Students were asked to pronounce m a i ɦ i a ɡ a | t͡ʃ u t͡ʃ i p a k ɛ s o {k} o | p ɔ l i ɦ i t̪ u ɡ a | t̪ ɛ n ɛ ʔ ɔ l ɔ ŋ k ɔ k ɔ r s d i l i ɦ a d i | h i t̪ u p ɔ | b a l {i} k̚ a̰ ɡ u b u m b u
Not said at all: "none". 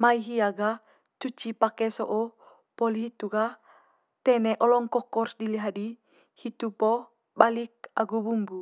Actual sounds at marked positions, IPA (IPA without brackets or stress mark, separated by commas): ʔ, i